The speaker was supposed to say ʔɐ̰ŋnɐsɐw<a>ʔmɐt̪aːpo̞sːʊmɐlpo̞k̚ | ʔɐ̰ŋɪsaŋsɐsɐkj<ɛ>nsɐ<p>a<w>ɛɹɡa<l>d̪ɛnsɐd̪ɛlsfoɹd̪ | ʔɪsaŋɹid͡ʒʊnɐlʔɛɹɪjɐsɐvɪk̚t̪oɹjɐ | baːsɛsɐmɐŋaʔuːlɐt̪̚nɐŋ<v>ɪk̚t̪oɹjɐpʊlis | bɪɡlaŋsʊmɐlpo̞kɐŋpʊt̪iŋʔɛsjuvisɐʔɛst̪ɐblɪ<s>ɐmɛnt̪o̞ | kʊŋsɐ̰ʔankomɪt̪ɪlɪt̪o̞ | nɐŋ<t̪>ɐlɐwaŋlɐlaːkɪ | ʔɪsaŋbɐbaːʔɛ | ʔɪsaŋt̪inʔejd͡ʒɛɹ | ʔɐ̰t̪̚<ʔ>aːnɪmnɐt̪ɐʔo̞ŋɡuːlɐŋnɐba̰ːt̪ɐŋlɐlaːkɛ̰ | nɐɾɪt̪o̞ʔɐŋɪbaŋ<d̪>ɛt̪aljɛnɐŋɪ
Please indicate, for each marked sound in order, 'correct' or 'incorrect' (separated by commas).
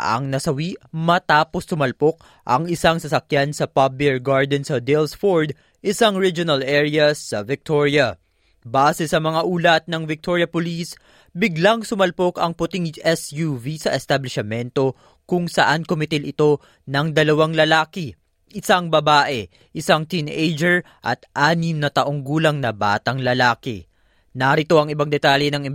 incorrect, incorrect, correct, incorrect, incorrect, correct, incorrect, incorrect, correct, correct